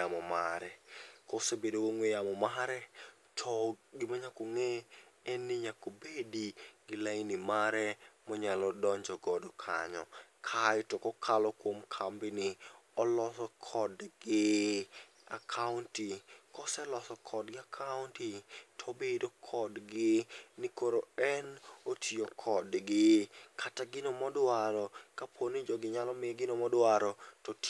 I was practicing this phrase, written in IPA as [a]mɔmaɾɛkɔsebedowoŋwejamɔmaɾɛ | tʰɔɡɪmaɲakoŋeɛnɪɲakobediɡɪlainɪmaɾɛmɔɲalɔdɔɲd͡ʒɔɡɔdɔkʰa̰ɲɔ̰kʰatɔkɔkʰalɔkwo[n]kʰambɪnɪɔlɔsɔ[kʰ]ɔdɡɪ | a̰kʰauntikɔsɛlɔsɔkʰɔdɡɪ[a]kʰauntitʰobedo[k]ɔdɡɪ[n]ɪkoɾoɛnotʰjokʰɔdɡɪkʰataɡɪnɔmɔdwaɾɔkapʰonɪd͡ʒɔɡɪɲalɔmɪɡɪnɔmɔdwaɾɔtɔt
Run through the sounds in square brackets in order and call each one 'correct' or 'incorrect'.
correct, incorrect: m, correct, correct, incorrect: kʰ, correct

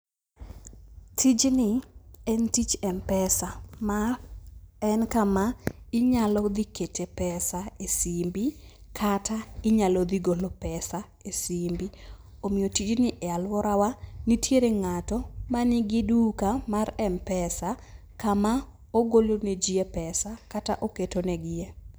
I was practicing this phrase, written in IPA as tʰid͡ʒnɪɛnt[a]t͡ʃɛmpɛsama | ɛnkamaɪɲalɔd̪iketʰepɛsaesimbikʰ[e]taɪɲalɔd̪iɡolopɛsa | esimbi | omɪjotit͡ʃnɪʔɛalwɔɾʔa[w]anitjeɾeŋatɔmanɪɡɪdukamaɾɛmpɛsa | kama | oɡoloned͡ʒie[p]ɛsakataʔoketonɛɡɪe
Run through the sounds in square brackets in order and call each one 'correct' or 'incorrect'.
incorrect: i, incorrect: a, correct, correct

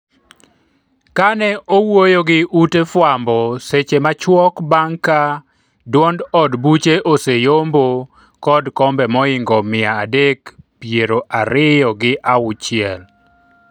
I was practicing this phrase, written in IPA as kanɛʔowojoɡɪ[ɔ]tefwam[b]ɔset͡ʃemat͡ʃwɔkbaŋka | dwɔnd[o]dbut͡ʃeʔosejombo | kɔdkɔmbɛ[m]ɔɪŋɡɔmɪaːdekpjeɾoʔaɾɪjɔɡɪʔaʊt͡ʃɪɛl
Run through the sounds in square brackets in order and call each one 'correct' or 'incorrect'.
incorrect: u, correct, incorrect: ɔ, correct

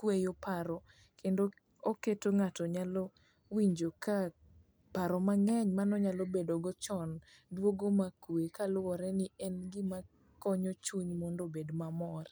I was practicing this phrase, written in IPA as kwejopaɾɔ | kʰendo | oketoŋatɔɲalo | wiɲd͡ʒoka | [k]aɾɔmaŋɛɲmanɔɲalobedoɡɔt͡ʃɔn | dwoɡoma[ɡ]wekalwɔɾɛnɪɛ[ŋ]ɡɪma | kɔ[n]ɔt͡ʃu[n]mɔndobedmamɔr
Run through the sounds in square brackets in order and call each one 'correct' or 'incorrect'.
incorrect: p, incorrect: k, incorrect: n, incorrect: ɲ, incorrect: ɲ

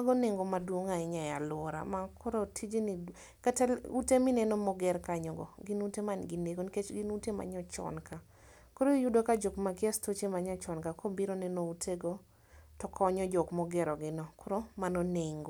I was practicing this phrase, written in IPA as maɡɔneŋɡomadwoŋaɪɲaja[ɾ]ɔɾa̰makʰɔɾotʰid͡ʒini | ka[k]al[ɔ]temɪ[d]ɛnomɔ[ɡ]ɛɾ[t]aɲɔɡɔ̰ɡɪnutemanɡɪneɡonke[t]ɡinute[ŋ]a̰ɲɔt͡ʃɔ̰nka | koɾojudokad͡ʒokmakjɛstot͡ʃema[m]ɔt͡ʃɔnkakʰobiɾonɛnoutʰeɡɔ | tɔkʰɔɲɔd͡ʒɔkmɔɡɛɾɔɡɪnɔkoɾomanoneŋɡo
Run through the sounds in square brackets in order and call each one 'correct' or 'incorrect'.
incorrect: l, incorrect: t, incorrect: u, incorrect: n, correct, incorrect: k, incorrect: t͡ʃ, incorrect: m, incorrect: ɲ

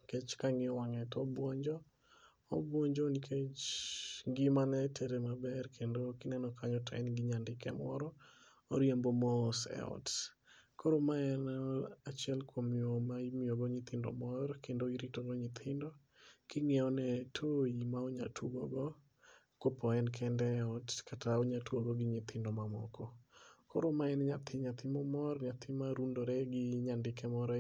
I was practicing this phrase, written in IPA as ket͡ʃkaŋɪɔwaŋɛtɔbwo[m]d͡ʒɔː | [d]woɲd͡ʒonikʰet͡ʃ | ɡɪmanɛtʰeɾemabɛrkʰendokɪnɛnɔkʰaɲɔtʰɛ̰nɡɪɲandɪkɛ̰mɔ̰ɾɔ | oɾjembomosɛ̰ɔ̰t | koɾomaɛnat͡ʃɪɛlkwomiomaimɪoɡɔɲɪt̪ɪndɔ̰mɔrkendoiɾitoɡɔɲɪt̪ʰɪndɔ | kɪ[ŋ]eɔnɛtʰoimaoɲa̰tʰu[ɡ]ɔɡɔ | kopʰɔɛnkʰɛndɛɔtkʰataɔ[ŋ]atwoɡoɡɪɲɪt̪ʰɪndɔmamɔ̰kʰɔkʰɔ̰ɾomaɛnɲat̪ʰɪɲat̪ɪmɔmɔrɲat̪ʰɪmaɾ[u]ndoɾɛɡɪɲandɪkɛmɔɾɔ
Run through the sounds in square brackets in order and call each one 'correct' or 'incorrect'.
incorrect: ɲ, incorrect: b, correct, correct, incorrect: ɲ, correct

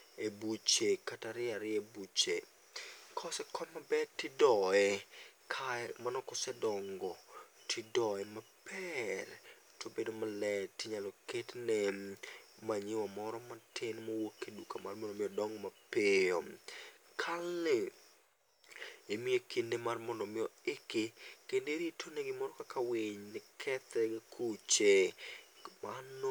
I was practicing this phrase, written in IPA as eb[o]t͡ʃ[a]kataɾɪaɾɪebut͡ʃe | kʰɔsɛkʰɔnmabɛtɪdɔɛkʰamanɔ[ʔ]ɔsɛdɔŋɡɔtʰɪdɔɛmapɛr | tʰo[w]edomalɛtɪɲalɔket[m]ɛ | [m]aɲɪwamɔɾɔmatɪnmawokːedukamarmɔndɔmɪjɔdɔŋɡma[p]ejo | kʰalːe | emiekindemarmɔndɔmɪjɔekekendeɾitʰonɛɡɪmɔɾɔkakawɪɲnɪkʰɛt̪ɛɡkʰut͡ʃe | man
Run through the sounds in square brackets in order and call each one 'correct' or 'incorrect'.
incorrect: u, incorrect: e, incorrect: k, incorrect: b, incorrect: n, correct, correct

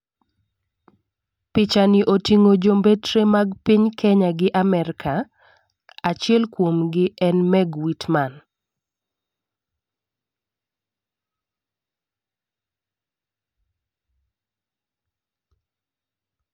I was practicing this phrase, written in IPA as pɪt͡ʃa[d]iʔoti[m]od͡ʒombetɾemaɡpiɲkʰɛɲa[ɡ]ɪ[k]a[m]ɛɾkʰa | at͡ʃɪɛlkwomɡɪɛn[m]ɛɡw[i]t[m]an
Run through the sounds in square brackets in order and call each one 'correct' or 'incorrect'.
incorrect: n, incorrect: ŋ, correct, incorrect: ʔ, correct, correct, correct, correct

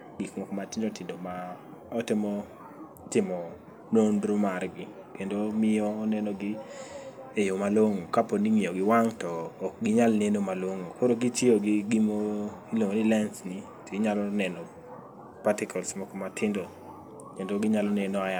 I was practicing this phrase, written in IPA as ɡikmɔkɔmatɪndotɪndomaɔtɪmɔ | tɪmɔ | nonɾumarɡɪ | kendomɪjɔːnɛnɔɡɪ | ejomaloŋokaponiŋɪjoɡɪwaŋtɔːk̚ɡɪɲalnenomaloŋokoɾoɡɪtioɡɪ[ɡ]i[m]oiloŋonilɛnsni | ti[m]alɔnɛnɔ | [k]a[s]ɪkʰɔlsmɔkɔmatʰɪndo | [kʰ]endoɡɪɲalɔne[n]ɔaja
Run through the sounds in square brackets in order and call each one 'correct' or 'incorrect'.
correct, correct, incorrect: ɲ, incorrect: p, incorrect: t, incorrect: k, correct

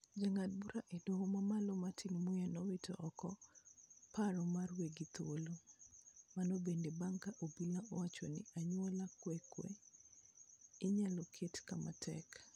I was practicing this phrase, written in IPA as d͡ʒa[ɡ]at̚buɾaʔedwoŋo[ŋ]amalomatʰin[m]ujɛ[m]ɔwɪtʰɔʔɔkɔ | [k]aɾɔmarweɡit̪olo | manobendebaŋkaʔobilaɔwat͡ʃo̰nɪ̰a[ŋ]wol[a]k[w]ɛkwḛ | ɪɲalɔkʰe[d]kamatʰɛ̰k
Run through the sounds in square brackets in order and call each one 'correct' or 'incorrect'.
incorrect: ŋ, incorrect: m, correct, incorrect: n, incorrect: p, incorrect: ɲ, correct, correct, incorrect: t

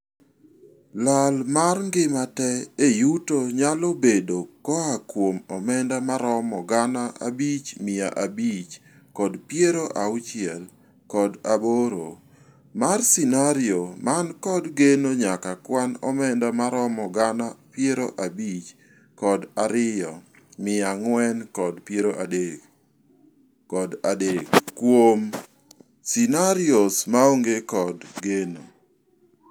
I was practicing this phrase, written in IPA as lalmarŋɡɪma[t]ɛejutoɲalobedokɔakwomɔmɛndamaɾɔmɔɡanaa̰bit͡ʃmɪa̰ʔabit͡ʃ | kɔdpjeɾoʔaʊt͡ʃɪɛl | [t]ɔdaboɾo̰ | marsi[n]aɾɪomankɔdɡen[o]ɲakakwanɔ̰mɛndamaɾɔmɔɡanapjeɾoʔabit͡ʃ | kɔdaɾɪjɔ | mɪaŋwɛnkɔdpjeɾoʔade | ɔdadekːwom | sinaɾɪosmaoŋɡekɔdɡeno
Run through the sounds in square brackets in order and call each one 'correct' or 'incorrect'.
correct, incorrect: k, correct, correct

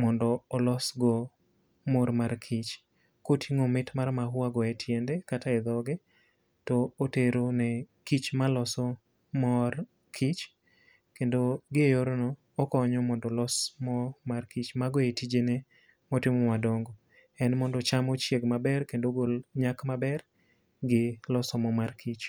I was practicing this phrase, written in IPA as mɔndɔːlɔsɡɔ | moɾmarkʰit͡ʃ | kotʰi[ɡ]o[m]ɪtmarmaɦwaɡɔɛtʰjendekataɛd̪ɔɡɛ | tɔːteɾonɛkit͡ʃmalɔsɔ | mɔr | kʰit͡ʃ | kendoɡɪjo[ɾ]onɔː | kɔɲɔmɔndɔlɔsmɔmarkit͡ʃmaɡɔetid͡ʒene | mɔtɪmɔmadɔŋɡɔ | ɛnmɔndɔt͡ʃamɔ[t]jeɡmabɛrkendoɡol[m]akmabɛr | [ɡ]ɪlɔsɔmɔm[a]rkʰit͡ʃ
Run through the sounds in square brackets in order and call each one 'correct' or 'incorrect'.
incorrect: ŋ, correct, correct, incorrect: t͡ʃ, incorrect: ɲ, correct, correct

